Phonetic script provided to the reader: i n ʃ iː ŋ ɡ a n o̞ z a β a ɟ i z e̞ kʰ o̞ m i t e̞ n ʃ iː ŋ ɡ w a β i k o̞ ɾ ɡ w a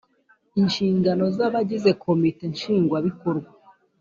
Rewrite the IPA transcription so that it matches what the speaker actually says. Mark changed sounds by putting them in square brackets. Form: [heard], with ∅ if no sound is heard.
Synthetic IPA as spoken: i n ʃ iː ŋ ɡ a n o̞ z a β a ɟ i z e̞ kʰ o̞ m i t e̞ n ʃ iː ŋ ɡ w a β i k o̞ ɾ ɡ w a